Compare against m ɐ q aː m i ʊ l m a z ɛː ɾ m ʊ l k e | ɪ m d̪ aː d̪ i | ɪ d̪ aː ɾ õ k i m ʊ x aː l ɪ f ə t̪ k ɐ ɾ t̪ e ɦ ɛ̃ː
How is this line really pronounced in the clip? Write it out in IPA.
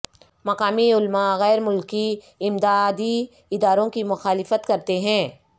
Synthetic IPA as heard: m ɐ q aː m i ʊ l m a ɣ ɛː ɾ m ʊ l k i | ɪ m d̪ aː d̪ i | ɪ d̪ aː ɾ õ k i m ʊ x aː l ɪ f ə t̪ k ɐ ɾ t̪ e ɦ ɛ̃ː